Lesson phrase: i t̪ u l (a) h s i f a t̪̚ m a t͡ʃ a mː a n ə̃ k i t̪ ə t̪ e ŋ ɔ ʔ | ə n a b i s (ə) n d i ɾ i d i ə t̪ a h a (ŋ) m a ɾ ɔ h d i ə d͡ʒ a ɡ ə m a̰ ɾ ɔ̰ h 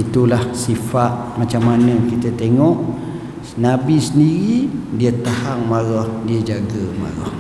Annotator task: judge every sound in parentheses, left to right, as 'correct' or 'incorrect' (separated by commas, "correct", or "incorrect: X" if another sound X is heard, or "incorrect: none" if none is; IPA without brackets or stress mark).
correct, correct, correct